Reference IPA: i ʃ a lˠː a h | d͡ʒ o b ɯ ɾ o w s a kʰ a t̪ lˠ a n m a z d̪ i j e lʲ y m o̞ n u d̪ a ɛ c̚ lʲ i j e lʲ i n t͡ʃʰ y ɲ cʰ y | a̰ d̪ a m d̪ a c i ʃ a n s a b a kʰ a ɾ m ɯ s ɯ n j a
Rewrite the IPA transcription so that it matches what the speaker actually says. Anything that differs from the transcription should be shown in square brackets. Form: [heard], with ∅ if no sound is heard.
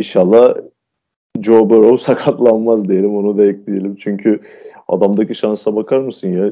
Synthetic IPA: i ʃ a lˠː a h | d͡ʒ o b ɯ ɾ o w s a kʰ a t̪ lˠ a n m a z d̪ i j e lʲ [i] m o̞ n u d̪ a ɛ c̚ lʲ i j e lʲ i [m] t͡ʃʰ y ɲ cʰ y | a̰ d̪ a m d̪ a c i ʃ a n s a b a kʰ a ɾ m ɯ s ɯ n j a